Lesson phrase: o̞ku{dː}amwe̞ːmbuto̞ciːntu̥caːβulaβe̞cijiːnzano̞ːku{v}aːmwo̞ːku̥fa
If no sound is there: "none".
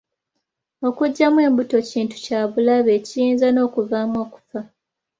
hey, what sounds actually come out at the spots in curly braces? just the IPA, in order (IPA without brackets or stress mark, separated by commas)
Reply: ɟː, v